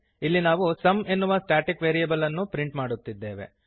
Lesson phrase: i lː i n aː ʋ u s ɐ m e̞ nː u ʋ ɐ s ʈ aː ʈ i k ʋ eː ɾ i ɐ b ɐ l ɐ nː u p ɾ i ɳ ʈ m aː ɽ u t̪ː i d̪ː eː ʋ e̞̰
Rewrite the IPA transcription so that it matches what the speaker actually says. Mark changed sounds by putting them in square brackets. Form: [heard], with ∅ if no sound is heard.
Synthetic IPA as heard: i lː i n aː ʋ u s ɐ m e̞ nː u ʋ ɐ s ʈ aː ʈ i k ʋ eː ɾ i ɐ b ɐ l ɐ nː u p ɾ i ɳ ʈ m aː ɽ u t̪ː i d̪ː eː ʋ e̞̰